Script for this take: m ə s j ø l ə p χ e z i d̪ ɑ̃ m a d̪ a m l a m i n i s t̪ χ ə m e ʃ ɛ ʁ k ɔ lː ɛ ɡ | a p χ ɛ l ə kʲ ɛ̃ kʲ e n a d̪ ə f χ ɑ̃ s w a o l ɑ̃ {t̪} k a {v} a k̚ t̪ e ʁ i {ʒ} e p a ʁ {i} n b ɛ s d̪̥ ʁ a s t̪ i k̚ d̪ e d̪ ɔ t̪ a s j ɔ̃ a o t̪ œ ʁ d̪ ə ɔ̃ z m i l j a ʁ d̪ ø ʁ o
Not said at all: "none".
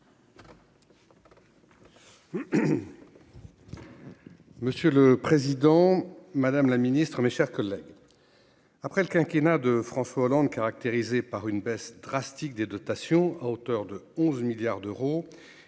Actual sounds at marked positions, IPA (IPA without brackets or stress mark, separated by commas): d̪, ʁ, z, y